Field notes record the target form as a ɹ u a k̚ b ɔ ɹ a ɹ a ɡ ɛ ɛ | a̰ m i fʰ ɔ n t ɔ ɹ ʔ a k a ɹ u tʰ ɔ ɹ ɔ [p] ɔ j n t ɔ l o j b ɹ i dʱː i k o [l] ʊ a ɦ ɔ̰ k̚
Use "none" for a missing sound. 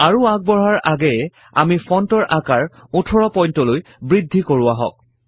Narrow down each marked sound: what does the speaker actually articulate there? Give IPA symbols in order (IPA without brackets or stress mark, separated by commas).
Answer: p, ɹ